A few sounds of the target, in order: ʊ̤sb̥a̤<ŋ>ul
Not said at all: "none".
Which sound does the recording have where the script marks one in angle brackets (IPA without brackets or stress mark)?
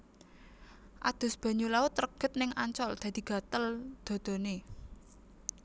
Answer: ɲ